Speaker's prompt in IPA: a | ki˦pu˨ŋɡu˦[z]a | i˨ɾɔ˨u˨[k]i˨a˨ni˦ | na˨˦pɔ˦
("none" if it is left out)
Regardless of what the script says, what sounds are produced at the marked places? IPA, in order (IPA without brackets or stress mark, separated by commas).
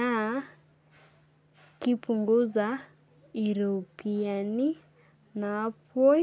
z, p